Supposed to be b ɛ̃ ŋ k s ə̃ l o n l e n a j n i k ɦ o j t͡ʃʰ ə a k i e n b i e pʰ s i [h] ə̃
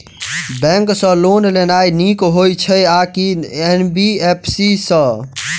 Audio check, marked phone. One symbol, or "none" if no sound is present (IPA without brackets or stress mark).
s